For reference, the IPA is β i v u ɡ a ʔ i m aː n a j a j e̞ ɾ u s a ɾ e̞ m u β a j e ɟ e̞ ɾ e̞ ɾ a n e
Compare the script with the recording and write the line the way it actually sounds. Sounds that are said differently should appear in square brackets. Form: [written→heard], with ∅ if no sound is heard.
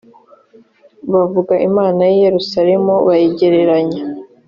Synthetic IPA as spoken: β [i→a] v u ɡ a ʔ i m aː n a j [a→i] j e̞ ɾ u s a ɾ e̞ m u β a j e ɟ e̞ ɾ e̞ ɾ a [n→ɲ] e